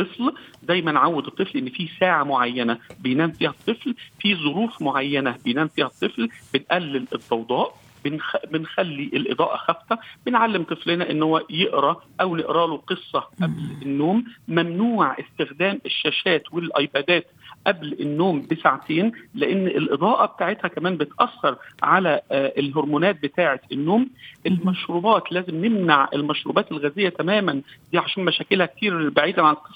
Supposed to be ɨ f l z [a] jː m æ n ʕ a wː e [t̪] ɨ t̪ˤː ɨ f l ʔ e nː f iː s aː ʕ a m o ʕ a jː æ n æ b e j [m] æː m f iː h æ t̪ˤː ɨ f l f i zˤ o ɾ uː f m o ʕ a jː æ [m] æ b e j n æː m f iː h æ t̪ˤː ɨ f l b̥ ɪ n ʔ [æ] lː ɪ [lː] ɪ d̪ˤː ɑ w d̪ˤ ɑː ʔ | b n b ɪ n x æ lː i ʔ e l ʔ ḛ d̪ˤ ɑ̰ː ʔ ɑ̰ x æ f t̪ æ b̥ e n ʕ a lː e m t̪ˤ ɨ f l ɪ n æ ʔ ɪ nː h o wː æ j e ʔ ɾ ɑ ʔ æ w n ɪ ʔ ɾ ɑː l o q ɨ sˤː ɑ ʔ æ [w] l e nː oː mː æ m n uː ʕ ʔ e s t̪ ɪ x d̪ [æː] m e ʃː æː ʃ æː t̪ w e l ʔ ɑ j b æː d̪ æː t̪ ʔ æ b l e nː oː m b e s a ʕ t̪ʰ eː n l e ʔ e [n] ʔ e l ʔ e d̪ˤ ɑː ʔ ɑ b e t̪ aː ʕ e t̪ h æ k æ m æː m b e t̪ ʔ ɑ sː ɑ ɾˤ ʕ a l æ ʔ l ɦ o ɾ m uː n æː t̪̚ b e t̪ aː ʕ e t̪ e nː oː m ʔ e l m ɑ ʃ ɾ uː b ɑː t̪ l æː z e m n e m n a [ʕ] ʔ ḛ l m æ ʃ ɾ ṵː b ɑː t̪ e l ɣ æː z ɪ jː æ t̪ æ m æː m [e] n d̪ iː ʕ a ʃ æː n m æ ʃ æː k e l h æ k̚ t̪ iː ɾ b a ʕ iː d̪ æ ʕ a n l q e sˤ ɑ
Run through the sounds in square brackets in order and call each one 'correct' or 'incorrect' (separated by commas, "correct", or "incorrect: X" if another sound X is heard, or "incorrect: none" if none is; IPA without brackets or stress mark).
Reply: incorrect: æ, incorrect: d̪, incorrect: n, incorrect: n, correct, incorrect: l, incorrect: b, correct, incorrect: nː, correct, incorrect: æ